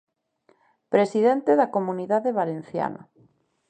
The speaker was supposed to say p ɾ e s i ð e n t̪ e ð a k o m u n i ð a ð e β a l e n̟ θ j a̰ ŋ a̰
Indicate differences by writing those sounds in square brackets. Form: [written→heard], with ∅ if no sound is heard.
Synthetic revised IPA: p ɾ e s i ð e n t̪ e ð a k o m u n i ð a ð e β a l e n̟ θ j a̰ [ŋ→n] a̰